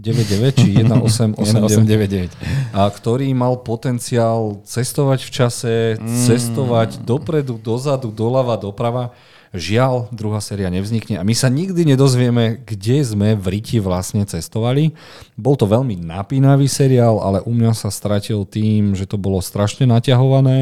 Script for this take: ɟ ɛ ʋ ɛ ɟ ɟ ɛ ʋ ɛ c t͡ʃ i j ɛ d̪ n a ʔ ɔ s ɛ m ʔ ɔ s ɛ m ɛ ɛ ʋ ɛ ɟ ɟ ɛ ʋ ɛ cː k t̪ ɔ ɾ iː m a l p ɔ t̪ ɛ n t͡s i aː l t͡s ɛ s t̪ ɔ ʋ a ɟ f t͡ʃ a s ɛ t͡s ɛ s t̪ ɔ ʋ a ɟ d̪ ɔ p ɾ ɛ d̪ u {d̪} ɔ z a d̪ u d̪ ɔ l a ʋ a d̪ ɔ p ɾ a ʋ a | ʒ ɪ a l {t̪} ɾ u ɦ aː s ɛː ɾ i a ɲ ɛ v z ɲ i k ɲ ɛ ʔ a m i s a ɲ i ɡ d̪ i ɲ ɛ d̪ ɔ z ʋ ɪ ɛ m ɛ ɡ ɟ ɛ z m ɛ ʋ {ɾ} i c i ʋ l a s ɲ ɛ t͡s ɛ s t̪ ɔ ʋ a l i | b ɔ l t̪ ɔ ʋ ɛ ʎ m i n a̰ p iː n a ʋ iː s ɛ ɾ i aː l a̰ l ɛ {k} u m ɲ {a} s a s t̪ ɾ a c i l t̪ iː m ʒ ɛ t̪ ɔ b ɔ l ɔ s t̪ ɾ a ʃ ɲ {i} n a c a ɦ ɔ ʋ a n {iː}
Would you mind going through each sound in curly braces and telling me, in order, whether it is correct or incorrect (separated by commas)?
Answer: correct, incorrect, correct, incorrect, correct, incorrect, incorrect